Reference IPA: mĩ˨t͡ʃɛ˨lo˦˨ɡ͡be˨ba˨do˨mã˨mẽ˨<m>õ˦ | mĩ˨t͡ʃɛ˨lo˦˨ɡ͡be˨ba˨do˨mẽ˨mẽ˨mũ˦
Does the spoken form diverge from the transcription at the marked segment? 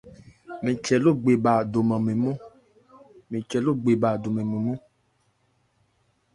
no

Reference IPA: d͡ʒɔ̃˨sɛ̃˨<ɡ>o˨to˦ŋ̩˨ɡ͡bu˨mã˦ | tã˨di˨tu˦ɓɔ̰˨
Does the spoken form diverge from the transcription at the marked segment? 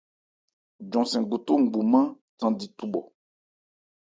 no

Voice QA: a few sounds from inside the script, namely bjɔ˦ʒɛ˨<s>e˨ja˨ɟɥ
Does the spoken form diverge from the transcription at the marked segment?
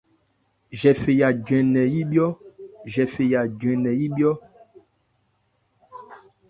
yes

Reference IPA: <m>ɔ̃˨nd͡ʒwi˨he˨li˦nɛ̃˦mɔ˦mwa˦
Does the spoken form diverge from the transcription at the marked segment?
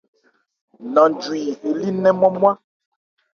yes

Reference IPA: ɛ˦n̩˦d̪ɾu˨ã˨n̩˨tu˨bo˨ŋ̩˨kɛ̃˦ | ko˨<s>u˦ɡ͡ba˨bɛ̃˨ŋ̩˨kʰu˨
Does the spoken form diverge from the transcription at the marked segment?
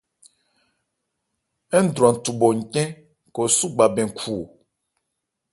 no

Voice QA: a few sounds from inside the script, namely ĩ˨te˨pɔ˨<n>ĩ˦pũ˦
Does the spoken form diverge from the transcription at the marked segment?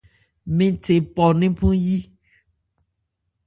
no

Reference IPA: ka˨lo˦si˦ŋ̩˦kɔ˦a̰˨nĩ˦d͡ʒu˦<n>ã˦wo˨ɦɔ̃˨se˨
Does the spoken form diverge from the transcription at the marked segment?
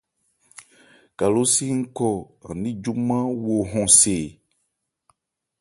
yes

